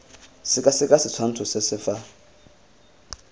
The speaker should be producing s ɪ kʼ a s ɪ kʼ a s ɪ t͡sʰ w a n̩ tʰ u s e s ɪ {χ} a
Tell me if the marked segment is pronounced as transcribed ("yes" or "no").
no